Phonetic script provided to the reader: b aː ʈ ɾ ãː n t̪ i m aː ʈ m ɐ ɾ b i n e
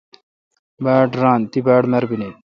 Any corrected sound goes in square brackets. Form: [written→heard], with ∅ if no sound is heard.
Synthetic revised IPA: b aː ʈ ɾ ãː n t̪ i [m→b] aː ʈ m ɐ ɾ b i n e